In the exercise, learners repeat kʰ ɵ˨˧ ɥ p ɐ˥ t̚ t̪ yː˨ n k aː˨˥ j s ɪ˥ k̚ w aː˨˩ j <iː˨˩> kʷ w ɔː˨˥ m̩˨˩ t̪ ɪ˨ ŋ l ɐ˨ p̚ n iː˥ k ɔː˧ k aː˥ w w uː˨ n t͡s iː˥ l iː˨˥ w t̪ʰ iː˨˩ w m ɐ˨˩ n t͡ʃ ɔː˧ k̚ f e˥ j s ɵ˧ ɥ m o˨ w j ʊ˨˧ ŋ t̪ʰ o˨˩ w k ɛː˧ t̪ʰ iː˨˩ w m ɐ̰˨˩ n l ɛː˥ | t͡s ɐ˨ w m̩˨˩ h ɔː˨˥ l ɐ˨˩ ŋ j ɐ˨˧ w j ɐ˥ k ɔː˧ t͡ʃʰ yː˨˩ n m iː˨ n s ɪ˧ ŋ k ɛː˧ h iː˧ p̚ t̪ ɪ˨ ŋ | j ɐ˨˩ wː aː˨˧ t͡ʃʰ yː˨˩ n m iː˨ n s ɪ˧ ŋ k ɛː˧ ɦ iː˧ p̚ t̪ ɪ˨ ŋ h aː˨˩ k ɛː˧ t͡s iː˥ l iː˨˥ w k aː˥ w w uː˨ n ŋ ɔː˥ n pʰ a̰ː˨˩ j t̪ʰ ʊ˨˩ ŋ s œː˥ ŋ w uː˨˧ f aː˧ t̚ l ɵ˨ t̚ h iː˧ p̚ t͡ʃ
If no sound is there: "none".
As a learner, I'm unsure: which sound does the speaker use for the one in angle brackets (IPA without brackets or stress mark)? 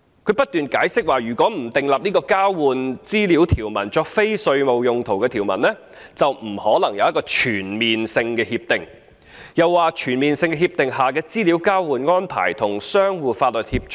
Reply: yː˨˩